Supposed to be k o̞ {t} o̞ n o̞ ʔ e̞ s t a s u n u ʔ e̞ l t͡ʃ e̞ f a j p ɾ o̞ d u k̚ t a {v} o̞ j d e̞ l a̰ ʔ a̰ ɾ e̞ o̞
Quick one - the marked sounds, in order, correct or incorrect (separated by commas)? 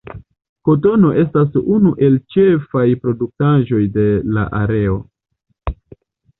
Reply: correct, incorrect